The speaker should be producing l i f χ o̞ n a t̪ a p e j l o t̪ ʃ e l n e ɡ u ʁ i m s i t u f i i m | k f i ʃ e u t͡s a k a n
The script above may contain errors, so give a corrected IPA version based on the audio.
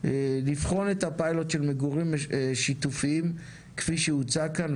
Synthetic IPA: l i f χ o̞ n e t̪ a p a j l o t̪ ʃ e l m e ɡ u ʁ i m ʃ i t u f i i m | k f i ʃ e u t͡s a k a n